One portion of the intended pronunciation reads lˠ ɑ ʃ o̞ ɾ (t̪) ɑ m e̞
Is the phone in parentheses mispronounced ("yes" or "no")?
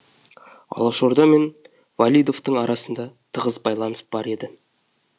yes